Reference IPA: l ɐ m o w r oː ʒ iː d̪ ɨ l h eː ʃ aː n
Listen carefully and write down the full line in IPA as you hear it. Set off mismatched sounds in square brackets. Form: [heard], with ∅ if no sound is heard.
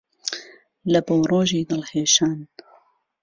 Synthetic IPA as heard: l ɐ [b] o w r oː ʒ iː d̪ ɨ l h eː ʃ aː n

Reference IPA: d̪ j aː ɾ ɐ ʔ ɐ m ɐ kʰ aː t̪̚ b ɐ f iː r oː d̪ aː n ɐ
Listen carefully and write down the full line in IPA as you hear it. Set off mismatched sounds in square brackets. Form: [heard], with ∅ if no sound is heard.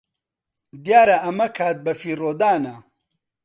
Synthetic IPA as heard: d̪ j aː ɾ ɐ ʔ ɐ m ɐ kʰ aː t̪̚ b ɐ f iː r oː d̪ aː n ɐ

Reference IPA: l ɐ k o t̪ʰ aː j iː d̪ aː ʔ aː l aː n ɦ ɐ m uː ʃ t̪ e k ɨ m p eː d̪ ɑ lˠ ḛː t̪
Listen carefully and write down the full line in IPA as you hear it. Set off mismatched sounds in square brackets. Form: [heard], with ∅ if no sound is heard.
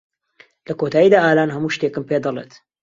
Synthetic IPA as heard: l ɐ k o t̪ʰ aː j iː d̪ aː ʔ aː l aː n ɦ ɐ m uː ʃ t̪ e k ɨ m p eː d̪ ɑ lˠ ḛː t̪

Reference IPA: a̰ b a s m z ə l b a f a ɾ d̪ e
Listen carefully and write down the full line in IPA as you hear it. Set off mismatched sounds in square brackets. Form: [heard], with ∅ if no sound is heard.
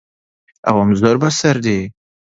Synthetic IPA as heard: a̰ [w] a [∅] m z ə [ɾ] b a [s] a ɾ d̪ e

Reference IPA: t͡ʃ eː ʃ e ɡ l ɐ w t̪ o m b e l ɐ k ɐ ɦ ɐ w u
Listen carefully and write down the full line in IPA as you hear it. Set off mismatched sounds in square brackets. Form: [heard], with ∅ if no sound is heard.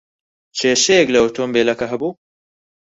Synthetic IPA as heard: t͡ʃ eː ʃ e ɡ l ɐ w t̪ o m b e l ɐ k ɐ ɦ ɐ [b] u

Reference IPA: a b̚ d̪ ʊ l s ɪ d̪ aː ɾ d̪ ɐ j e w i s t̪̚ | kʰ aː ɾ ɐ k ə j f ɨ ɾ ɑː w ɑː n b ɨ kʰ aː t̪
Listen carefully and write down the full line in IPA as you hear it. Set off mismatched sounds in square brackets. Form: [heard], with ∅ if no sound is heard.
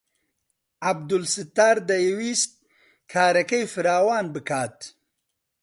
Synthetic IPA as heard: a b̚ d̪ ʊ l s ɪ [t̪] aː ɾ d̪ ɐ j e w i s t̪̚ | kʰ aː ɾ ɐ k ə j f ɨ ɾ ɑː w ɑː n b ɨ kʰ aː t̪

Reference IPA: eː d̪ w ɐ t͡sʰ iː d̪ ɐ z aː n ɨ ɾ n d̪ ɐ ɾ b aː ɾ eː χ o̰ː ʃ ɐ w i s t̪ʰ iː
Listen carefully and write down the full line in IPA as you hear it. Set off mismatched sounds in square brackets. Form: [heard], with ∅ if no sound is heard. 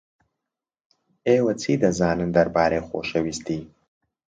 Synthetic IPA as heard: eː [∅] w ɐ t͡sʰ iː d̪ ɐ z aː n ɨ [∅] n d̪ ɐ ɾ b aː ɾ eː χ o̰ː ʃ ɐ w i s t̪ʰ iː

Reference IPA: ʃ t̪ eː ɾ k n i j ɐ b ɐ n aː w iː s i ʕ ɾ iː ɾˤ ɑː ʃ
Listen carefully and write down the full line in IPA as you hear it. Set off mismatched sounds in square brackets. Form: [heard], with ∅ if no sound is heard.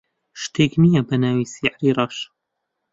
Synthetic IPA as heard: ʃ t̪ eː [∅] k n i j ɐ b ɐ n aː w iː s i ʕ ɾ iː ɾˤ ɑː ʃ

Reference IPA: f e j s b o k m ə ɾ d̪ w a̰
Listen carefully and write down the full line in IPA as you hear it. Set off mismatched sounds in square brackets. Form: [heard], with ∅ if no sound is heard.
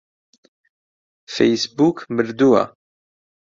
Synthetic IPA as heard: f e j s b [u] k m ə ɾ d̪ [u] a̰

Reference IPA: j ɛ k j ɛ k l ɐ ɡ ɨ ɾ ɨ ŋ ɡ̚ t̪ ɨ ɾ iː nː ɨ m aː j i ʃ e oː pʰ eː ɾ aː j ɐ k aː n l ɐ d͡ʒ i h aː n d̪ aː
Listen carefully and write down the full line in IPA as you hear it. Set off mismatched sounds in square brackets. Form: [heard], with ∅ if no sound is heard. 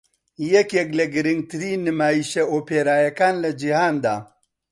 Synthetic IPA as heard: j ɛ k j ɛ k l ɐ ɡ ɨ ɾ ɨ ŋ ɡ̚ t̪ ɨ ɾ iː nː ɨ m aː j i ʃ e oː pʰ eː ɾ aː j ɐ k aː n l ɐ d͡ʒ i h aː n d̪ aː

